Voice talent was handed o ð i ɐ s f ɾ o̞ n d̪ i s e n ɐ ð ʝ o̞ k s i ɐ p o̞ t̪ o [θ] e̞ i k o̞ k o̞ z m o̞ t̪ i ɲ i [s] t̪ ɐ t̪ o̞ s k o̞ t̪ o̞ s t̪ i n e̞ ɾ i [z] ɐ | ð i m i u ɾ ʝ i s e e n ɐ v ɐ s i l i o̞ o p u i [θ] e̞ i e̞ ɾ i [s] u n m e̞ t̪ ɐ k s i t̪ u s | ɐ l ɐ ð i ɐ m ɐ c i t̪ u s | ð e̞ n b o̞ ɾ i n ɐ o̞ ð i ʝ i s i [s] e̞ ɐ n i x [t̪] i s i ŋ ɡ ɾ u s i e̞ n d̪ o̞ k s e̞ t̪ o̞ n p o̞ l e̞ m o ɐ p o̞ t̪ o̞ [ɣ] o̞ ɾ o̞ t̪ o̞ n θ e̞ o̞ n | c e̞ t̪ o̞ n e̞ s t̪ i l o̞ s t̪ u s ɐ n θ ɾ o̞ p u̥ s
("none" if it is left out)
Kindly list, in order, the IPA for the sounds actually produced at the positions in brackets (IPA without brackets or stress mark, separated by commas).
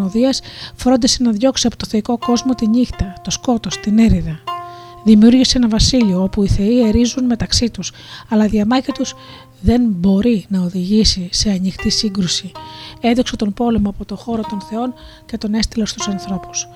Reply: θ, x, ð, θ, z, s, t̪, x